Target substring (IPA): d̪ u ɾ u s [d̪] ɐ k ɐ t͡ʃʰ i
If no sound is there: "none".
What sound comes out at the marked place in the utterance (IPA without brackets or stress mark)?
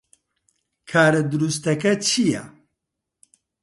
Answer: t̪